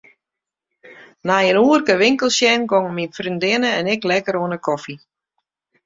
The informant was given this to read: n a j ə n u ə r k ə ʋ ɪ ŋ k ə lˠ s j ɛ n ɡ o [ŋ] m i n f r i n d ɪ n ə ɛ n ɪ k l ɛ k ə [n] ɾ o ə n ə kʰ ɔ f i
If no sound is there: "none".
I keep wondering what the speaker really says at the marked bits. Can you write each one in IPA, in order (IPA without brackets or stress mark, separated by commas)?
ŋ, none